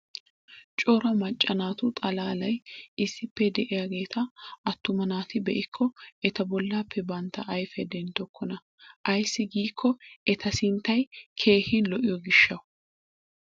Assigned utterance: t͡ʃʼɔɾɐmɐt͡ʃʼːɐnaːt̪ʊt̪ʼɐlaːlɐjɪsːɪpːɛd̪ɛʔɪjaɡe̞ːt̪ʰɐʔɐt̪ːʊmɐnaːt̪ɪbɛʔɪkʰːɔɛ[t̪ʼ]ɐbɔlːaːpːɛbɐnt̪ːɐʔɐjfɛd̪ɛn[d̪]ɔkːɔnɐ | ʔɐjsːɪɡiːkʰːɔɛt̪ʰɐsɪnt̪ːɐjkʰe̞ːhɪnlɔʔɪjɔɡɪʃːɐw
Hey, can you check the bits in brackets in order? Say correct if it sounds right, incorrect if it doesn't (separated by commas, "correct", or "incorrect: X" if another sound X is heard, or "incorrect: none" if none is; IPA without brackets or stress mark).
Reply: incorrect: t̪, incorrect: t̪